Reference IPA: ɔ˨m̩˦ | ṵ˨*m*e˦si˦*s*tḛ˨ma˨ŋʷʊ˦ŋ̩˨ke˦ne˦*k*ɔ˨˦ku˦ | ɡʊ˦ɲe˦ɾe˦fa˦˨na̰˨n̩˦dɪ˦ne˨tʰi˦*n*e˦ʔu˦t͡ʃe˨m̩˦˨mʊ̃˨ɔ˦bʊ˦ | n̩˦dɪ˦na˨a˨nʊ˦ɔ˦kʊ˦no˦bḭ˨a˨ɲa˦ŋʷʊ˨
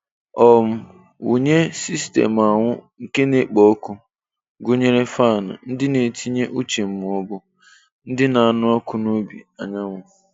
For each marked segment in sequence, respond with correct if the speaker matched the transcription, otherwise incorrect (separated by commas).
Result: incorrect, correct, incorrect, incorrect